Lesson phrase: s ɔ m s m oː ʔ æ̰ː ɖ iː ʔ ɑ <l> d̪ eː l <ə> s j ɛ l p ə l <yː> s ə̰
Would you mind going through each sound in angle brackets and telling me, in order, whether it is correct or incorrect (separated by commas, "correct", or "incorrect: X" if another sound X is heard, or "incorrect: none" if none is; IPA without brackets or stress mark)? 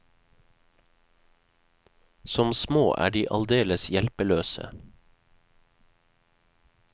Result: correct, correct, incorrect: øː